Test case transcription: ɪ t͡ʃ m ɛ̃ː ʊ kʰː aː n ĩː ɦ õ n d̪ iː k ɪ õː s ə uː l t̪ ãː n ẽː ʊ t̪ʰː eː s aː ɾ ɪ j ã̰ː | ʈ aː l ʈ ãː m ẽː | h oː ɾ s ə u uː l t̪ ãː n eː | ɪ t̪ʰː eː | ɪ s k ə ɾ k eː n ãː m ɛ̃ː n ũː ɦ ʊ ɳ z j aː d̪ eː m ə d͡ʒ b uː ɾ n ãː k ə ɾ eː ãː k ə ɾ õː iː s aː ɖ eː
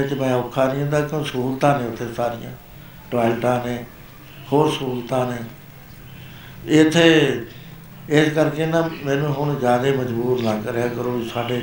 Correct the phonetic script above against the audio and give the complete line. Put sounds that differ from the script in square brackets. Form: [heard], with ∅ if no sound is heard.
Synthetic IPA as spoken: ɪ t͡ʃ m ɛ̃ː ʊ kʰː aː n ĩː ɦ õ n d̪ [aː] k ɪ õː s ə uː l t̪ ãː n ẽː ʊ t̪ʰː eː s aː ɾ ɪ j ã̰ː | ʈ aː l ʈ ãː [n] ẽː | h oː ɾ s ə u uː l t̪ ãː n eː | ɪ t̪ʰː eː | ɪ s k ə ɾ k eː n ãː m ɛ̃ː n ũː ɦ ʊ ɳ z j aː d̪ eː m ə d͡ʒ b uː ɾ n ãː k ə ɾ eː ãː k ə ɾ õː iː s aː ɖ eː